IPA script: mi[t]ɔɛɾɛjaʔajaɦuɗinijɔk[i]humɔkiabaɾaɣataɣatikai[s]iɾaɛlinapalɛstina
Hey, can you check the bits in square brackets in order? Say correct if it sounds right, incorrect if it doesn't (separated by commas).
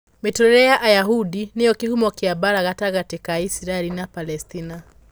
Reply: correct, correct, correct